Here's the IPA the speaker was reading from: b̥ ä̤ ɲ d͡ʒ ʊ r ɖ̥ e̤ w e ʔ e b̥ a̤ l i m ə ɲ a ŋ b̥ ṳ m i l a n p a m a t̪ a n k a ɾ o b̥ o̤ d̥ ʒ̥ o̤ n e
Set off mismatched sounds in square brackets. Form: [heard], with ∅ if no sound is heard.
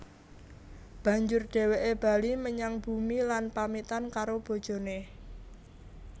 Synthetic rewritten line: b̥ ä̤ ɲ d͡ʒ ʊ r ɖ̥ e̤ w e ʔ e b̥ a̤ l i m ə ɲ a ŋ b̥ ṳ m i l a n p a m [i] t̪ a n k a ɾ o b̥ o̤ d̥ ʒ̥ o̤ n e